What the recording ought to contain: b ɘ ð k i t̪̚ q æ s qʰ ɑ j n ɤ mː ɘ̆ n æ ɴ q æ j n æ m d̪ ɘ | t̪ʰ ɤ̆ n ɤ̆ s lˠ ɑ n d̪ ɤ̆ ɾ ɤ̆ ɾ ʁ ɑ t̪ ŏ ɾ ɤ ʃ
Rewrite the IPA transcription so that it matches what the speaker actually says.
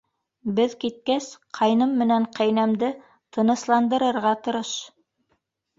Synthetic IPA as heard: b ɘ ð k i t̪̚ k æ s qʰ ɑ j n ɤ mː ɘ̆ n æ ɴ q æ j n æ m d̪ ɘ | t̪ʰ ɤ̆ n ɤ̆ s lˠ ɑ n d̪ ɤ̆ ɾ ɤ̆ ɾ ʁ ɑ t̪ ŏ ɾ ɤ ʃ